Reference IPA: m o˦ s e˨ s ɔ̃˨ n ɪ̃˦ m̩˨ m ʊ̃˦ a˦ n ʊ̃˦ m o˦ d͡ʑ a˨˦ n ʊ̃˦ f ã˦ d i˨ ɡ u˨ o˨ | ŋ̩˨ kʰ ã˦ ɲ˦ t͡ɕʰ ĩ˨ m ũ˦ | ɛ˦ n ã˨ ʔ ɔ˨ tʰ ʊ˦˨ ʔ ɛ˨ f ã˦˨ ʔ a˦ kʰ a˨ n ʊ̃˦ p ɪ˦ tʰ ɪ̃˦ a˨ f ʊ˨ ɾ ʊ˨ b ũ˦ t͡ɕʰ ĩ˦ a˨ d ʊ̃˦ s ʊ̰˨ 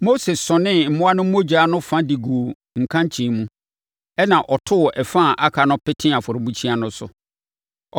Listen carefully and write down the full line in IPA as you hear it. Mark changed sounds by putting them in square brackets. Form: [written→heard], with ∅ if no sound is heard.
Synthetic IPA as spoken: m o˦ s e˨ s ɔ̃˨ n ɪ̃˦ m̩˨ m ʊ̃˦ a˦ n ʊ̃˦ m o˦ d͡ʑ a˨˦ n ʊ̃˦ f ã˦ d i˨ ɡ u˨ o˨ | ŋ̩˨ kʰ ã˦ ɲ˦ t͡ɕʰ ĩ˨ m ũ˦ | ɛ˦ n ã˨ ʔ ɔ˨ tʰ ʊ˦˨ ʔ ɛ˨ f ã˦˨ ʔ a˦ kʰ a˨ n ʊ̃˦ p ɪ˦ tʰ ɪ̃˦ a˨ f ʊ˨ ɾ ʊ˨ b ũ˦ t͡ɕʰ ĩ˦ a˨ [d→n] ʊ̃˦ s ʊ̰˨

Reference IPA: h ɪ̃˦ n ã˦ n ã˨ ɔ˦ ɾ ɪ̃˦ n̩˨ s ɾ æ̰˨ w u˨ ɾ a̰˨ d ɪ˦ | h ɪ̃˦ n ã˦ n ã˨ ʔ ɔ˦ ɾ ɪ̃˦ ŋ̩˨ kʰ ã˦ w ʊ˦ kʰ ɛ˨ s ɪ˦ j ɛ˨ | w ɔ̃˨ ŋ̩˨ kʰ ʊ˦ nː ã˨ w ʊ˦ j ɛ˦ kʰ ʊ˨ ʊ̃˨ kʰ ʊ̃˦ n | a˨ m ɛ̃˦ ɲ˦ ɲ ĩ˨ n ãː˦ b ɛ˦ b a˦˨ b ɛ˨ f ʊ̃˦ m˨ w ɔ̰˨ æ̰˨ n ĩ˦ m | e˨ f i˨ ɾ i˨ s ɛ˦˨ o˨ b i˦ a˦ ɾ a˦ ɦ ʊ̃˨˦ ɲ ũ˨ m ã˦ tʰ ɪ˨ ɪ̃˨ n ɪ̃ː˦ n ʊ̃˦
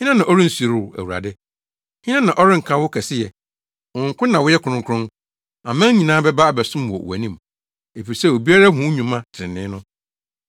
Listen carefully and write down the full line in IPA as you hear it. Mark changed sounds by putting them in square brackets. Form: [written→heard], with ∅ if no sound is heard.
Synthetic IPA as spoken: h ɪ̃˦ n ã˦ n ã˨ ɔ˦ ɾ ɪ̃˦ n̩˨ s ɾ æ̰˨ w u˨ ɾ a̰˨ d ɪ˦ | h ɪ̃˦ n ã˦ n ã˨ ʔ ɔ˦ ɾ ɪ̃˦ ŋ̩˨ kʰ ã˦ w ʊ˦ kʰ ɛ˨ s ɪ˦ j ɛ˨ | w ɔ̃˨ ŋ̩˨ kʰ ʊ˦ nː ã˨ w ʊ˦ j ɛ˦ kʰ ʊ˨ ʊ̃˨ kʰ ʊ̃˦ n | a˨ m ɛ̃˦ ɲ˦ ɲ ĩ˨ n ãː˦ b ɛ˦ b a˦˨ b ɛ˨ [f→s] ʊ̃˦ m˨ w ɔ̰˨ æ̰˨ n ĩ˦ m | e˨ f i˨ ɾ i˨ s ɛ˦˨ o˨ b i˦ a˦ ɾ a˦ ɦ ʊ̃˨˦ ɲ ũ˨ m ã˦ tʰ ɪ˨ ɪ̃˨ n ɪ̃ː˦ n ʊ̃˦

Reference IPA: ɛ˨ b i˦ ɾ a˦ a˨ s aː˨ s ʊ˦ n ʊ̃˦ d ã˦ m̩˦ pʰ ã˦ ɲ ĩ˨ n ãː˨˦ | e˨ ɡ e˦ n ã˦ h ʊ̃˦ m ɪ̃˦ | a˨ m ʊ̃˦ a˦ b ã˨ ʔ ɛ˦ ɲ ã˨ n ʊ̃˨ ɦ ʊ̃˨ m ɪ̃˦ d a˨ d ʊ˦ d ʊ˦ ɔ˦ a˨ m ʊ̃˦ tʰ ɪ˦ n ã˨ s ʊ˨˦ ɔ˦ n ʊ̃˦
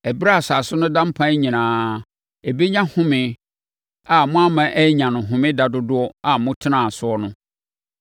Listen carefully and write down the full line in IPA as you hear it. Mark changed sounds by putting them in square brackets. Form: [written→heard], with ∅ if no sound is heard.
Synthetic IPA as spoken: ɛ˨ b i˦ ɾ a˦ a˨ s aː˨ s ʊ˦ n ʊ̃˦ d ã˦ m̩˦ pʰ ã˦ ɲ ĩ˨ n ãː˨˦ | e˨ [ɡ→b] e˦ [n→ɲ] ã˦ h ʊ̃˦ m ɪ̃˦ | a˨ m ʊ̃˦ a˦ [b→m] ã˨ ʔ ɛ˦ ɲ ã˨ n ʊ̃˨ ɦ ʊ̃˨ m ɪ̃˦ d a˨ d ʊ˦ d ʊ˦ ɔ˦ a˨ m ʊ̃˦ tʰ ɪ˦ n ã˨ s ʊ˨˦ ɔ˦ n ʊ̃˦

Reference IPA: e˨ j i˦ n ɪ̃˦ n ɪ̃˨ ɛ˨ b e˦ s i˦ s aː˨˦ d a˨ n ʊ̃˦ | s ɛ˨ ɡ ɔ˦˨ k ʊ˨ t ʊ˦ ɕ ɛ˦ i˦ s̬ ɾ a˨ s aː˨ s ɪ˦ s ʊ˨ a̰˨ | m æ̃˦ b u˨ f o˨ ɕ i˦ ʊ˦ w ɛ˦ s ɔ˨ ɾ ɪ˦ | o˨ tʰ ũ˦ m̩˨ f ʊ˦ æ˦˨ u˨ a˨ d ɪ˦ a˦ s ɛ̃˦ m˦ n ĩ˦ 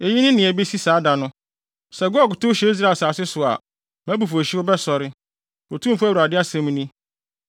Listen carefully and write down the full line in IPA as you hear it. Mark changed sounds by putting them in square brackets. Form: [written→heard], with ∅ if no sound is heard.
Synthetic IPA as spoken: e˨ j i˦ n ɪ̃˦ n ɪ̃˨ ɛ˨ b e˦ s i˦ s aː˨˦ d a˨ n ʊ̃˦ | s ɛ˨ ɡ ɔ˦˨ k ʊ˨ t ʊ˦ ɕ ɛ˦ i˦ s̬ ɾ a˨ s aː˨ s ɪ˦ s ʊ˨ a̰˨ | m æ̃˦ b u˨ f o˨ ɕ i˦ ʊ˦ [w→b] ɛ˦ s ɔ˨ ɾ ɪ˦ | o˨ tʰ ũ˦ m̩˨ f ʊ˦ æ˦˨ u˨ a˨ d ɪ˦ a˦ s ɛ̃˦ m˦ n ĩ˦

